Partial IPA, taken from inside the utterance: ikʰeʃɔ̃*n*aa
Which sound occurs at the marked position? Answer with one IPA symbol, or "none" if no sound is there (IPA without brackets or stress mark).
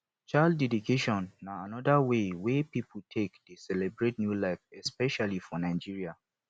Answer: nː